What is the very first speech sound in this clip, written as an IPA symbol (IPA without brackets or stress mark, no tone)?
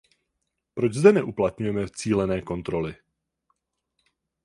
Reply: p